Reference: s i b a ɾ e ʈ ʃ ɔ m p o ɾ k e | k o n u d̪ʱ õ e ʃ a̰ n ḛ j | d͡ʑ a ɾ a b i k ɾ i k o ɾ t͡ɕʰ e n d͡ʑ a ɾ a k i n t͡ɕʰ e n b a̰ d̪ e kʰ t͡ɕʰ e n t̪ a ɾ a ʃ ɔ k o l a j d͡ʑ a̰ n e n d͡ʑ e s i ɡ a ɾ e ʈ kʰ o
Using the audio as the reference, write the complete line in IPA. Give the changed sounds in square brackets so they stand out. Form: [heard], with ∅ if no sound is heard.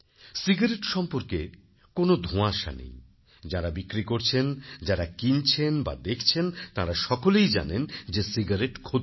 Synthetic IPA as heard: s i [ɡ] a ɾ e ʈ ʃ ɔ m p o ɾ k e | k o n [o] d̪ʱ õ [a] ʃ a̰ n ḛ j | d͡ʑ a ɾ a b i k ɾ i k o ɾ t͡ɕʰ e n d͡ʑ a ɾ a k i n t͡ɕʰ e n b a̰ d̪ e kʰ t͡ɕʰ e n t̪ a ɾ a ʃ ɔ k o l [e] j d͡ʑ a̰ n e n d͡ʑ e s i ɡ a ɾ e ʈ kʰ o